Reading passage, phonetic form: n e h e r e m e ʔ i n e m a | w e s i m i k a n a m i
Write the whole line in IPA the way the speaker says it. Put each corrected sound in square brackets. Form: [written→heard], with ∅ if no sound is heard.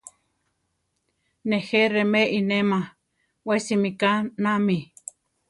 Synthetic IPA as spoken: n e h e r e m e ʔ i n e m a | w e s i m i k a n a m i